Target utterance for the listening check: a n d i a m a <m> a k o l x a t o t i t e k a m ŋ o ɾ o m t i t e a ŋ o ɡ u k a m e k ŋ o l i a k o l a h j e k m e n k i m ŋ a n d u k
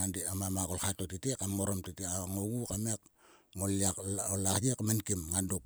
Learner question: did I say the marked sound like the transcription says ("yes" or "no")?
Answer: yes